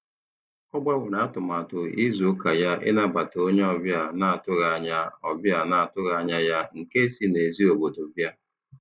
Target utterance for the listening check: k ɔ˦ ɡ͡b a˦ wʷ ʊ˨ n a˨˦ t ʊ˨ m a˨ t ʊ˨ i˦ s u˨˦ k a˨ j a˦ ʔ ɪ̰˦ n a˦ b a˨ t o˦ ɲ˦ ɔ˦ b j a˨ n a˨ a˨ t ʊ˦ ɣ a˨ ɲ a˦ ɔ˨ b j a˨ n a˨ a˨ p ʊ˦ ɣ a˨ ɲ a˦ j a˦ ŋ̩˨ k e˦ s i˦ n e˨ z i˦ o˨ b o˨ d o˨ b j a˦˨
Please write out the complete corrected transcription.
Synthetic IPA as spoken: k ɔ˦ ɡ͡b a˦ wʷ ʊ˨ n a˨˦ t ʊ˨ m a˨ t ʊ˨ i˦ z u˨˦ k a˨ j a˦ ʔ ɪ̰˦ n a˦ b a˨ t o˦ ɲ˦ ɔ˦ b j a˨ n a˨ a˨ t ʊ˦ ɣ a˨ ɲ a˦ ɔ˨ b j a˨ n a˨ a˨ t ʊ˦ ɣ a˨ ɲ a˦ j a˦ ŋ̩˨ k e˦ s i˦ n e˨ z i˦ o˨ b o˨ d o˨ b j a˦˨